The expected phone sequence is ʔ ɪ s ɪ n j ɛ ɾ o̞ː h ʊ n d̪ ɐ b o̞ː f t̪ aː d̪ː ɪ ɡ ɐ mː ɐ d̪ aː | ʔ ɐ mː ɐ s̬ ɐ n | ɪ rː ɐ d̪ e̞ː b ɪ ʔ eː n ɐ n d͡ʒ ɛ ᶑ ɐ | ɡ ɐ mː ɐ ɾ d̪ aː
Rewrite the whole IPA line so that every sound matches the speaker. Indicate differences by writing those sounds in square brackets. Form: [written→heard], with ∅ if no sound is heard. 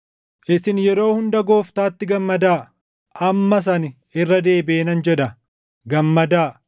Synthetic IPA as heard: ʔ ɪ s ɪ n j ɛ ɾ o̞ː h ʊ n d̪ ɐ [b→ɡ] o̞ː f t̪ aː [d̪ː→t̪ː] ɪ ɡ ɐ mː ɐ d̪ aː | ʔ ɐ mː ɐ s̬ ɐ n | ɪ rː ɐ d̪ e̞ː b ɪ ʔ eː n ɐ n d͡ʒ ɛ ᶑ ɐ | ɡ ɐ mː ɐ [ɾ→∅] d̪ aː